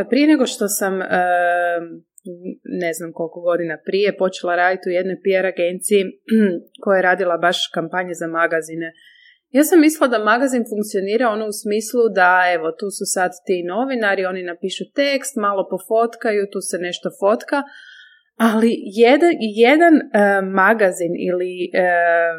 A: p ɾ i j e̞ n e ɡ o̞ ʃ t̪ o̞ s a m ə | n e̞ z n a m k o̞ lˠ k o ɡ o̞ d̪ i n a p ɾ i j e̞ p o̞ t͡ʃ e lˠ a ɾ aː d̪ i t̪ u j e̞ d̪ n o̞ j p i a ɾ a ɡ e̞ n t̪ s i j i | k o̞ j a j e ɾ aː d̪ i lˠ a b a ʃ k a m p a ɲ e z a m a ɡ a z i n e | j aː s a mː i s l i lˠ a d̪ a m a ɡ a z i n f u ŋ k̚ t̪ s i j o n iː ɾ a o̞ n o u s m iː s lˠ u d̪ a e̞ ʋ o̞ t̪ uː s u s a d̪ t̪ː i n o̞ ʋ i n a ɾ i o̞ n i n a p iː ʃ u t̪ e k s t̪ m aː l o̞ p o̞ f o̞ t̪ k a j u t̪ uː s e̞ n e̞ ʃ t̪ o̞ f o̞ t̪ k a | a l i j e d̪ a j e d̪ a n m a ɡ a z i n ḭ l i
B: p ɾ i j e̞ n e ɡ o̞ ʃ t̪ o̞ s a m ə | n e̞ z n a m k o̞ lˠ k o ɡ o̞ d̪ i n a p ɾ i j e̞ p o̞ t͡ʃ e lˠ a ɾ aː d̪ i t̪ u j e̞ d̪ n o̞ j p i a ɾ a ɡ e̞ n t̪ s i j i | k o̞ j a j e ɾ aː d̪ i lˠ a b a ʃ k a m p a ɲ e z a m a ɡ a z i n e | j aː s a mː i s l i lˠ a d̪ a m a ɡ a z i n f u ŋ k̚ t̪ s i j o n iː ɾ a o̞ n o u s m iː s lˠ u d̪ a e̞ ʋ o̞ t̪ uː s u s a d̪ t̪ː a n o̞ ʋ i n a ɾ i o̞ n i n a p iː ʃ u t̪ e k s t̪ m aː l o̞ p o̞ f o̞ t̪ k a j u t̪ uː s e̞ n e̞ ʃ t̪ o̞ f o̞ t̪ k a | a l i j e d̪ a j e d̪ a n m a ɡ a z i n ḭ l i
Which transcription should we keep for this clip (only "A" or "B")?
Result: A